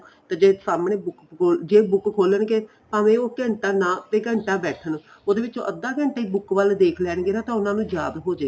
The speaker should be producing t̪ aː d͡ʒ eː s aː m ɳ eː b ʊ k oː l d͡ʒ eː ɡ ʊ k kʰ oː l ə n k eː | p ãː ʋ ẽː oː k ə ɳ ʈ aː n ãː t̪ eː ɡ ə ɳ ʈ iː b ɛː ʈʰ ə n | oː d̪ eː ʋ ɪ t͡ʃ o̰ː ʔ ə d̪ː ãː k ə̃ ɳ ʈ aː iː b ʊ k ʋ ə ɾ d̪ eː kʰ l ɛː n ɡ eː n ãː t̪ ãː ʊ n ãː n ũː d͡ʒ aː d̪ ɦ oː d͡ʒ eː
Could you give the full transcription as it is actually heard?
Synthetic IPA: t̪ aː d͡ʒ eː s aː m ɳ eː b ʊ k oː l d͡ʒ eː b ʊ k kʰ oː l ə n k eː | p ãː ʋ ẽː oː k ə ɳ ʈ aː n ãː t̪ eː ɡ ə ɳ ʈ aː b ɛː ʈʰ ə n | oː d̪ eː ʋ ɪ t͡ʃ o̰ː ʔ ə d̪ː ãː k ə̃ ɳ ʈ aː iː b ʊ k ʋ ə l d̪ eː kʰ l ɛː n ɡ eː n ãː t̪ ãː ʊ n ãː n ũː d͡ʒ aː d̪ ɦ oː d͡ʒ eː